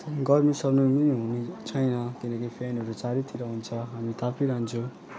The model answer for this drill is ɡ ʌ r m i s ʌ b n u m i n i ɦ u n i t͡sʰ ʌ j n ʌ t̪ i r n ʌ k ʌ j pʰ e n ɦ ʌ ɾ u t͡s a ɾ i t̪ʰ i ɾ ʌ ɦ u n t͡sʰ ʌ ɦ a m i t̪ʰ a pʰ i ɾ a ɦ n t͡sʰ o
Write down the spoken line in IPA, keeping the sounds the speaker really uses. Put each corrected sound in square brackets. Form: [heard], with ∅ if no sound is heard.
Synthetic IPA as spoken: ɡ ʌ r m i s ʌ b n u m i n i ɦ u n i t͡sʰ ʌ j n ʌ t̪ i [∅] n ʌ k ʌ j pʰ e n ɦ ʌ ɾ u t͡s a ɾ i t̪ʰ i ɾ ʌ ɦ u n t͡sʰ ʌ ɦ a m i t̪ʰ a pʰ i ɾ a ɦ n t͡sʰ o

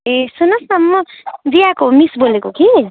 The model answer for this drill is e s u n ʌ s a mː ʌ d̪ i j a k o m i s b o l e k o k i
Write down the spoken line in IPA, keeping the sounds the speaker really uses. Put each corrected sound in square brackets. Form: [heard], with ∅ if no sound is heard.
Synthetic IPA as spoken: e s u n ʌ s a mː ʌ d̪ i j a k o m i s b o l e k o k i

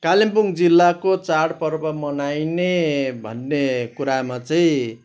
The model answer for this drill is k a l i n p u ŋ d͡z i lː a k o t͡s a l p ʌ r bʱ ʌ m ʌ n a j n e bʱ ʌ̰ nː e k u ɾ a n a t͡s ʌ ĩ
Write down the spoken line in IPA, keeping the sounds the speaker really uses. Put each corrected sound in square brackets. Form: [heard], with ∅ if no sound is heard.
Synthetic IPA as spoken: k a l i [m] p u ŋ d͡z i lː a k o t͡s a [ɽ] p ʌ r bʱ ʌ m ʌ n a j n e bʱ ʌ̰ nː e k u ɾ a [m] a t͡s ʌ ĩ

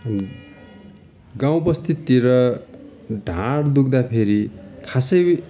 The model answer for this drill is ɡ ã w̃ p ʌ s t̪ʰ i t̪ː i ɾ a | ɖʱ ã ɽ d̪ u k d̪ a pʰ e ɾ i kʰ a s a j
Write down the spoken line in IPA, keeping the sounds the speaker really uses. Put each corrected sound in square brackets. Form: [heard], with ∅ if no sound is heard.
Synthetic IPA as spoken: ɡ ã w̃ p ʌ s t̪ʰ i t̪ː i ɾ [ʌ] | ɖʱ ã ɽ d̪ u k d̪ a pʰ e ɾ i kʰ a s [ʌ] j

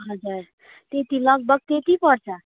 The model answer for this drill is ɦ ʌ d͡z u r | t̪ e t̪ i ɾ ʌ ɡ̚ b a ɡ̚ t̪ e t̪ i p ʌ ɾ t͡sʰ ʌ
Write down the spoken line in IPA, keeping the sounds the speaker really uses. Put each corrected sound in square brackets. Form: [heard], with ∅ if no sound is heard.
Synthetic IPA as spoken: ɦ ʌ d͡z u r | t̪ e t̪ i [l] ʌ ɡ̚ b [ʌ] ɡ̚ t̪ e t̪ i p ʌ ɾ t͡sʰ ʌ

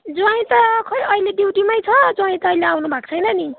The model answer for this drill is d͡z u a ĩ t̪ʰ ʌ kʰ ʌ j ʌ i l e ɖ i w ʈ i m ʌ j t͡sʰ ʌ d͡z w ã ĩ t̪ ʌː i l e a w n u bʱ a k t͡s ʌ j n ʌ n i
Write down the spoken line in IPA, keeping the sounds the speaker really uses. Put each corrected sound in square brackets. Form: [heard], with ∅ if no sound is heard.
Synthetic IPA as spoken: d͡z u a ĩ [t̪] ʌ kʰ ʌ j ʌ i l e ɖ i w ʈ i m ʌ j t͡sʰ ʌ d͡z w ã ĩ t̪ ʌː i l e a w n u bʱ a k [t͡sʰ] ʌ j n ʌ n i

